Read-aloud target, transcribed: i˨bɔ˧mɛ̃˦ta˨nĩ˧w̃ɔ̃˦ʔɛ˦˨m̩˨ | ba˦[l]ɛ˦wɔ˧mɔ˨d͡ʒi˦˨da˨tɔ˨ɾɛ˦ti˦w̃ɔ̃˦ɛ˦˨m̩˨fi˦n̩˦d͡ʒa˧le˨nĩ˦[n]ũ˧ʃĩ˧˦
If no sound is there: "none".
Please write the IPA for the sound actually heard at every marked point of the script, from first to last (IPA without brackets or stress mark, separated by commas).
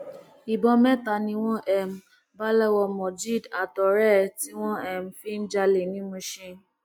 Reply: l, m